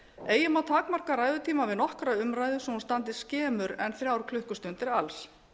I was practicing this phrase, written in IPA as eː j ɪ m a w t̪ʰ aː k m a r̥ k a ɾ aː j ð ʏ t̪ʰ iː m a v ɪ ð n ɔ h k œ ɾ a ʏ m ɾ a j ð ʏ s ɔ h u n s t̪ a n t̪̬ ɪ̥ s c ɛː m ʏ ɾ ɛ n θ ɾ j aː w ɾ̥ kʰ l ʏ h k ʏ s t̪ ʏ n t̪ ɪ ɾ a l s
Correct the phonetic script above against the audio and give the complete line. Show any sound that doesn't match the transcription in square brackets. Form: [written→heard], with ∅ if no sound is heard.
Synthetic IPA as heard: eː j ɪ m a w t̪ʰ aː k m a r̥ k a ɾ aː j ð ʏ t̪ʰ iː m a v ɪ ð n ɔ h k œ ɾ a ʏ m ɾ a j ð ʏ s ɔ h u n s t̪ a n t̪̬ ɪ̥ s c ɛː m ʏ ɾ ɛ n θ ɾ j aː w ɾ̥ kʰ l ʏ h k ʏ s t̪ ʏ n t̪ ɪ ɾ a l s